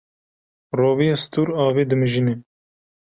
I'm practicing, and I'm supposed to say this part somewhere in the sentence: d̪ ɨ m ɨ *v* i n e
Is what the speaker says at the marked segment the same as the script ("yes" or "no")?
no